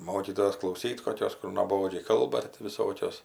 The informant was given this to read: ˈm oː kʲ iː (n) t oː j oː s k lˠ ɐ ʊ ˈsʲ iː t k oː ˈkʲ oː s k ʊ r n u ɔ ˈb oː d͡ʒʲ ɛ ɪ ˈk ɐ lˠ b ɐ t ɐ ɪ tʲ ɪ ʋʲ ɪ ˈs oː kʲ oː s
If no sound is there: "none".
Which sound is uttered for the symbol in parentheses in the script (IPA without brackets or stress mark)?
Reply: none